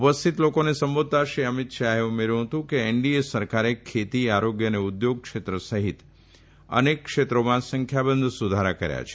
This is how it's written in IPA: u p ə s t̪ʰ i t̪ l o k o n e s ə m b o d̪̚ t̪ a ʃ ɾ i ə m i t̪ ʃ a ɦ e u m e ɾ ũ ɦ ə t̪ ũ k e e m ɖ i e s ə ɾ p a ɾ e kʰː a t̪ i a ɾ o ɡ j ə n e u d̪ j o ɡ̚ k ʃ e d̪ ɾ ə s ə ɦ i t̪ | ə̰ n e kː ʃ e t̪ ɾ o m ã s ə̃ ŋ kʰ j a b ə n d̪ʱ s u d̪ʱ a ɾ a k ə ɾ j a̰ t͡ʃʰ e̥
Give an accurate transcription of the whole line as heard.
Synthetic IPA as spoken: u p ə s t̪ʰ i t̪ l o k o n e s ə m b o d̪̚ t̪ a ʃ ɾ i ə m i t̪ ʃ a ɦ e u m e ɾ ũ ɦ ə t̪ ũ k e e ɳ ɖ i e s ə ɾ k a ɾ e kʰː e t̪ i a ɾ o ɡ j ə n e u d̪ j o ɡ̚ k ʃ e t̪ ɾ ə s ə ɦ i t̪ | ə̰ n e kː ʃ e t̪ ɾ o m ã s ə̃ ŋ kʰ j a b ə n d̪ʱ s u d̪ʱ a ɾ a k ə ɾ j a̰ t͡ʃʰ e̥

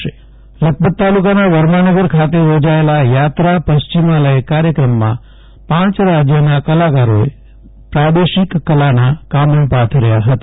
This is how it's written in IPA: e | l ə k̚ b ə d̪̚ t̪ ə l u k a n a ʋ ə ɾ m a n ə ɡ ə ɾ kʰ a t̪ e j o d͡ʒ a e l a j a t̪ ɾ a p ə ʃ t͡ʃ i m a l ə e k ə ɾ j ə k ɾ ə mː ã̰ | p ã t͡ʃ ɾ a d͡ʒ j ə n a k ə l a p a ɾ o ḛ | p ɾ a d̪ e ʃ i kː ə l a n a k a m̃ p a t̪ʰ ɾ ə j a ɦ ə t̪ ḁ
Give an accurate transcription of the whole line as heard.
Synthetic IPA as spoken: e | l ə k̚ b ə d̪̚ t̪ a l u k a n a ʋ ə ɾ m a n ə ɡ ə ɾ kʰ a t̪ e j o d͡ʒ a e l a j a t̪ ɾ a p ə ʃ t͡ʃ i m a l ə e k a ɾ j ə k ɾ ə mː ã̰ | p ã t͡ʃ ɾ a d͡ʒ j ə n a k ə l a k a ɾ o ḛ | p ɾ a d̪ e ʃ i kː ə l a n a k a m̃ p a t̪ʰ ɾ ə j a ɦ ə t̪ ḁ

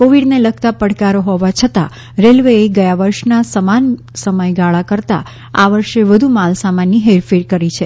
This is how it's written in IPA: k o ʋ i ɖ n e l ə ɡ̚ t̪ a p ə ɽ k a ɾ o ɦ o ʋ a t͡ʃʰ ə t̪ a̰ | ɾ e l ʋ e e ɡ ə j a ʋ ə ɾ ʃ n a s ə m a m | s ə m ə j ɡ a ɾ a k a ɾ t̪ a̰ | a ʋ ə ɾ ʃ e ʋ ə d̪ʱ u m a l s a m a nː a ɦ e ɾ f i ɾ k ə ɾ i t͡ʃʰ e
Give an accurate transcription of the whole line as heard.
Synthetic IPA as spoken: k o ʋ i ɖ n e l ə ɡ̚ t̪ a p ə ɽ k a ɾ o ɦ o ʋ a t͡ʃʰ ə t̪ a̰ | ɾ e l ʋ e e ɡ ə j a ʋ ə ɾ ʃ n a s ə m a n | s ə m ə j ɡ a ɭ a k ə ɾ t̪ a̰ | a ʋ ə ɾ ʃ e ʋ ə d̪ʱ u m a l s a m a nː i ɦ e ɾ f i ɾ k ə ɾ i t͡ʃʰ e

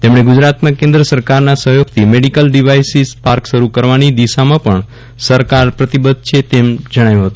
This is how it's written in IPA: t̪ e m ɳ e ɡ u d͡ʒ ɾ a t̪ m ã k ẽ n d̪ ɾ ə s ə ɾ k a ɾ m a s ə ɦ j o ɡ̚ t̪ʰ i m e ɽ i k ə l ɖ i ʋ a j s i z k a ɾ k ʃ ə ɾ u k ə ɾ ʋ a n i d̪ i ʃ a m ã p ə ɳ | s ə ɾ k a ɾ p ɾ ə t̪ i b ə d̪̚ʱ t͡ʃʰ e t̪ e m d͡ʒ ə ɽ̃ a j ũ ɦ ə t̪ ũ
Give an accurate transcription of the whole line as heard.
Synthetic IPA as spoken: t̪ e m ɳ e ɡ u d͡ʒ ɾ a t̪ m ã k ẽ n d̪ ɾ ə s ə ɾ k a ɾ n a s ə ɦ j o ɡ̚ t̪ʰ i m e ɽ i k ə l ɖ i ʋ a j s i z p a ɾ k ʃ ə ɾ u k ə ɾ ʋ a n i d̪ i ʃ a m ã p ə ɳ | s ə ɾ k a ɾ p ɾ ə t̪ i b ə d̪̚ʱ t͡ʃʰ e t̪ e m d͡ʒ ə ɽ̃ a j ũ ɦ ə t̪ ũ

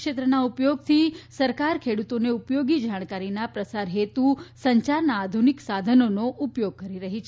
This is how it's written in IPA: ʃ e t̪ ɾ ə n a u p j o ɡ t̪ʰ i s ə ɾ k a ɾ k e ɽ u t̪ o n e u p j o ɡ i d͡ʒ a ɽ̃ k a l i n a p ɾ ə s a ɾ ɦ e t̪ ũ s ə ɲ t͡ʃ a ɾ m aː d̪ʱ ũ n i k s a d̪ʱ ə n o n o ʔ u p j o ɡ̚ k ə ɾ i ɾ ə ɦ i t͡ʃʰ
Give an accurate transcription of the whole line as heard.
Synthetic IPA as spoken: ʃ e t̪ ɾ ə n a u p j o ɡ t̪ʰ i s ə ɾ k a ɾ kʰ e ɽ u t̪ o n e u p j o ɡ i d͡ʒ a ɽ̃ k a ɾ i n a p ɾ ə s a ɾ ɦ e t̪ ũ s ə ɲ t͡ʃ a ɾ n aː d̪ʱ u n i k s a d̪ʱ ə n o n o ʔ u p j o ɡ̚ k ə ɾ i ɾ ə ɦ i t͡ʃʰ

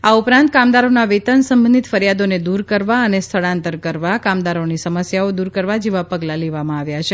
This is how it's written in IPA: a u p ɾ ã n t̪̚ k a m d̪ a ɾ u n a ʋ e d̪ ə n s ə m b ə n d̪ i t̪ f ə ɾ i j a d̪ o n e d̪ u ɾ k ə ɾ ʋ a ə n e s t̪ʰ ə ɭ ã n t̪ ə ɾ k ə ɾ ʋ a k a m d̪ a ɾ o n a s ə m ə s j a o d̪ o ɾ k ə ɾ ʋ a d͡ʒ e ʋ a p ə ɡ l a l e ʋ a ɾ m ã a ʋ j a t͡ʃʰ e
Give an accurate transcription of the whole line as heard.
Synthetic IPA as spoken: a u p ɾ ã n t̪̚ k a m d̪ a ɾ o n a ʋ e t̪ ə n s ə m b ə n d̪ i t̪ f ə ɾ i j a d̪ o n e d̪ u ɾ k ə ɾ ʋ a ə n e s t̪ʰ ə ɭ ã n t̪ ə ɾ k ə ɾ ʋ a k a m d̪ a ɾ o n i s ə m ə s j a o d̪ u ɾ k ə ɾ ʋ a d͡ʒ e ʋ a p ə ɡ l a l e ʋ a m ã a ʋ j a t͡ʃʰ e

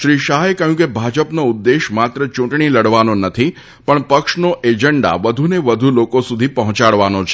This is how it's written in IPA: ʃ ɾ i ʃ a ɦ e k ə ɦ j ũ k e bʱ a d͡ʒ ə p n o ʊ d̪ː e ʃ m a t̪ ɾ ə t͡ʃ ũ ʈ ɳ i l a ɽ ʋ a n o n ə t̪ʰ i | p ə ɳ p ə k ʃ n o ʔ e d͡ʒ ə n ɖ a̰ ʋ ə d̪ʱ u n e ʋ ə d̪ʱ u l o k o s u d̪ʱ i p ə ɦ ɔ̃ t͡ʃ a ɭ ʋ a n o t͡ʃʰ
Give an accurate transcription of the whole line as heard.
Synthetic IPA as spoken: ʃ ɾ i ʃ a ɦ e k ə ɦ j ũ k e bʱ a d͡ʒ ə p n o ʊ d̪ː e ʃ m a t̪ ɾ ə t͡ʃ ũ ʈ ɳ i l ə ɽ ʋ a n o n ə t̪ʰ i | p ə ɳ p ə k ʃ n o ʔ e d͡ʒ ə ɳ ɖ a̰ ʋ ə d̪ʱ u n e ʋ ə d̪ʱ u l o k o s u d̪ʱ i p ə ɦ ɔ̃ t͡ʃ a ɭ ʋ a n o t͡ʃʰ

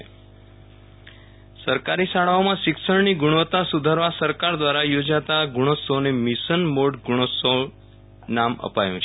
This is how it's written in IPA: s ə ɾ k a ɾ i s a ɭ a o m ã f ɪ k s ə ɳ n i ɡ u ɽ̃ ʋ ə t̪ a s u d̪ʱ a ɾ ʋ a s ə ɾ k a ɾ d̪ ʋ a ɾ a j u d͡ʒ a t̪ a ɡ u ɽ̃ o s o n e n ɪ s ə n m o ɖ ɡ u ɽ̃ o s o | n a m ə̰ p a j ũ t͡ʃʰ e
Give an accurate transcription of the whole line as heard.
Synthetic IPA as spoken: s ə ɾ k a ɾ i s a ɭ a o m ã ʃ ɪ k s ə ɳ n i ɡ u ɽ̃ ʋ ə t̪ a s u d̪ʱ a ɾ ʋ a s ə ɾ k a ɾ d̪ ʋ a ɾ a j o d͡ʒ a t̪ a ɡ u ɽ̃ o s o n e m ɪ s ə n m o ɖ ɡ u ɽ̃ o s o | n a m ə̰ p a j ũ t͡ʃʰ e

